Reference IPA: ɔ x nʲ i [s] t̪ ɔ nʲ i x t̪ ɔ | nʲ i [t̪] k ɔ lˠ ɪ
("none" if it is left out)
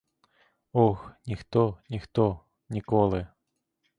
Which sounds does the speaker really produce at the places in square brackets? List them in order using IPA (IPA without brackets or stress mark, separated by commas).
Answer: x, none